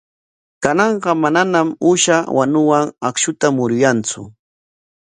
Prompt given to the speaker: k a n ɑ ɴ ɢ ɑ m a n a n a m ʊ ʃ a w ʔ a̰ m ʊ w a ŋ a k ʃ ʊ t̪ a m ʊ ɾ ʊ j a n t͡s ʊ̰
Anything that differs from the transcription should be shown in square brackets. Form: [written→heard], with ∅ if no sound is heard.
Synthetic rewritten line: k a n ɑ ɴ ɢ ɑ m a n a n a m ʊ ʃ a w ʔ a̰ [m→n] ʊ w a ŋ a k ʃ ʊ t̪ a m ʊ ɾ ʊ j a n t͡s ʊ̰